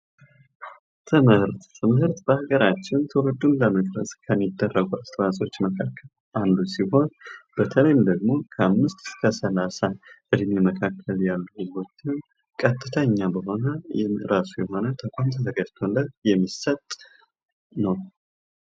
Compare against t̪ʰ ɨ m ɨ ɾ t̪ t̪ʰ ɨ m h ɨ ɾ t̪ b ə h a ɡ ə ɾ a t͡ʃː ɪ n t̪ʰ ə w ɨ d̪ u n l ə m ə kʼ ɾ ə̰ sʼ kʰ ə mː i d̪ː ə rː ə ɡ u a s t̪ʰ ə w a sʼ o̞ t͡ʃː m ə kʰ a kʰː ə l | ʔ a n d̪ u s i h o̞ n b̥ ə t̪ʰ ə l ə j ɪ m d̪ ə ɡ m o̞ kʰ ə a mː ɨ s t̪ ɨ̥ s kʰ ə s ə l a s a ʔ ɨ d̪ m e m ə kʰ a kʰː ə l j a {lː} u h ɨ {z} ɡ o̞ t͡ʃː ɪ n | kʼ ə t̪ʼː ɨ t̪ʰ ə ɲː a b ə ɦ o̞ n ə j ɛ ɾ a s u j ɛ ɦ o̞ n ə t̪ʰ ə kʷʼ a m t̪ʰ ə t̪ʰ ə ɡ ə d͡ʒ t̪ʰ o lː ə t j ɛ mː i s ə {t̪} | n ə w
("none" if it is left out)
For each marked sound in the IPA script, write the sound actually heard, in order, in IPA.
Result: lː, z, t̪ʼ

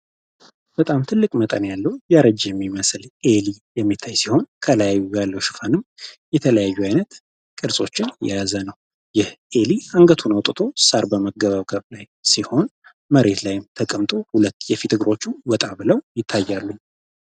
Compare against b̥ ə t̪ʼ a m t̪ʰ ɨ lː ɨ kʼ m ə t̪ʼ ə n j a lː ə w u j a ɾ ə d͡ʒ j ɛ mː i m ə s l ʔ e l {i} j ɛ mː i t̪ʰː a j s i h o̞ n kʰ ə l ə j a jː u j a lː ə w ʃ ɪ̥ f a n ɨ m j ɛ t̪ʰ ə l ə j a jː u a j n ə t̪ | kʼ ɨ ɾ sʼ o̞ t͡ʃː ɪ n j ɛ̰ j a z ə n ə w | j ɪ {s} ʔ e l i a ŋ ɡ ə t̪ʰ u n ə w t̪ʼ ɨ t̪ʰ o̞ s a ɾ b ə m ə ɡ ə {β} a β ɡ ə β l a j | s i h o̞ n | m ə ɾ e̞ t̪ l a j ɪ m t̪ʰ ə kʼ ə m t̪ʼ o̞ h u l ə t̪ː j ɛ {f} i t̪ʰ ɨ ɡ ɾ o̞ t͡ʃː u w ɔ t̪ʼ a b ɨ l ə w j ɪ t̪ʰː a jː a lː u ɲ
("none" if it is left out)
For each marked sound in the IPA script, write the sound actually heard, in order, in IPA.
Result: i, h, β, f

